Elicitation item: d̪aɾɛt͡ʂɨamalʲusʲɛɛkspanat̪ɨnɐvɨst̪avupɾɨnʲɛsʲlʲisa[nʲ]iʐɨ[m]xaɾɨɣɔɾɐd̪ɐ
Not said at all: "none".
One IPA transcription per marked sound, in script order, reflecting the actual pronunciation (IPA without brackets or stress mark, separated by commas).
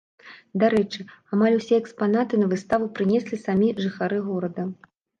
mʲ, none